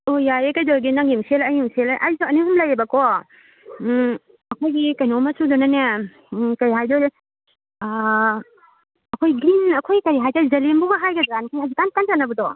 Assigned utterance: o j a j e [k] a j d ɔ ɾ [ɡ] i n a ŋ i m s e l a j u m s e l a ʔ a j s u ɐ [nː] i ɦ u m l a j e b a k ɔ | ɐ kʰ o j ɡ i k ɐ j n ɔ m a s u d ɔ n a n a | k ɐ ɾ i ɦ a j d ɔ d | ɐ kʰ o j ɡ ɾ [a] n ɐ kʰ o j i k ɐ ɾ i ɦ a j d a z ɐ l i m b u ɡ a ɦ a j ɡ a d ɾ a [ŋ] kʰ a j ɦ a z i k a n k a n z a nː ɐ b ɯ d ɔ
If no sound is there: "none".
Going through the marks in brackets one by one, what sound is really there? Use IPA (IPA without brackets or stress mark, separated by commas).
k, ɡ, n, i, n